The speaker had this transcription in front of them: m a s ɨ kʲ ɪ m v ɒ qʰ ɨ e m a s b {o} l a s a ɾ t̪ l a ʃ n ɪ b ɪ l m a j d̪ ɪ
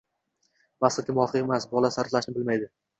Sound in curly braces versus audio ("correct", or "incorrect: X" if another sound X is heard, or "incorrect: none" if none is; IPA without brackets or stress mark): incorrect: ɒ